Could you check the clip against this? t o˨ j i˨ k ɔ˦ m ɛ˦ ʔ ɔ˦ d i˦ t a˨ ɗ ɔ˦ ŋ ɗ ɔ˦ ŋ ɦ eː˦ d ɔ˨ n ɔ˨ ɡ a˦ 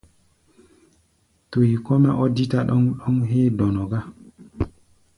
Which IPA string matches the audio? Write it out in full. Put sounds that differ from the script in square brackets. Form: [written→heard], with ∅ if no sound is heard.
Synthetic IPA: t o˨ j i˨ k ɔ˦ m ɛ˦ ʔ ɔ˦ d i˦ t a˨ ɗ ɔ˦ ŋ ɗ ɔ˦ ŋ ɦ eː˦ d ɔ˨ n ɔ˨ ɡ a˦